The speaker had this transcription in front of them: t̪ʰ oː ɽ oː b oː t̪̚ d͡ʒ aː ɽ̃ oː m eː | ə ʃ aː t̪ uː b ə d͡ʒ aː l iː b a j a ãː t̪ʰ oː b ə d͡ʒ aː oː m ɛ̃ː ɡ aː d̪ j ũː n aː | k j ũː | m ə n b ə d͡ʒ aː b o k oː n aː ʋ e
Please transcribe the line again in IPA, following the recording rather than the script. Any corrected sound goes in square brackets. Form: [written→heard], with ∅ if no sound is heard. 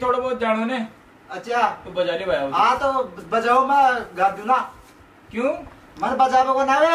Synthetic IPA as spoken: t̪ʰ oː ɽ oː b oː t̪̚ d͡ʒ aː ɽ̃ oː [m→n] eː | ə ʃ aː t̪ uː b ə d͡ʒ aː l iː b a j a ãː [t̪ʰ→t̪] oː b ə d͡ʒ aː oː m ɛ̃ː ɡ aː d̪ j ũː n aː | k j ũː | m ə n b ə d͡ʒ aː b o k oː n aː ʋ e